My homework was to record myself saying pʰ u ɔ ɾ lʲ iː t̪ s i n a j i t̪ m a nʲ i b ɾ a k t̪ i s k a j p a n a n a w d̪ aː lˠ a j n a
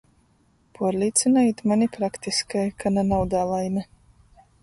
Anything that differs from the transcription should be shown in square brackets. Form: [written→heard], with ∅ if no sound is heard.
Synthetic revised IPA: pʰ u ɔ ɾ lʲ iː t̪ s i n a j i t̪ m a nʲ i [b→p] ɾ a k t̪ i s k a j [p→k] a n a n a w d̪ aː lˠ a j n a